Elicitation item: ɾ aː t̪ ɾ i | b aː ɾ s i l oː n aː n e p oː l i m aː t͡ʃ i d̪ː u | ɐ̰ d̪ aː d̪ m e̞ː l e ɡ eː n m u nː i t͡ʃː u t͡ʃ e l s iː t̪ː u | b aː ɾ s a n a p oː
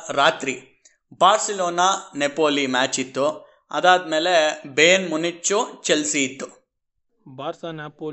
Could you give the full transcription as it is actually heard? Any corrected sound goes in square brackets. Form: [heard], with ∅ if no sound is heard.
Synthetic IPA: ɾ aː t̪ ɾ i | b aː ɾ s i l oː n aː n e p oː l i m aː t͡ʃ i [t̪ː] u | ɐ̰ d̪ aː d̪ m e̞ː l e [b] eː n m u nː i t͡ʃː u t͡ʃ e l s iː t̪ː u | b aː ɾ s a n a p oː